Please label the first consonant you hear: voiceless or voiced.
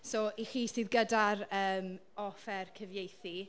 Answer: voiceless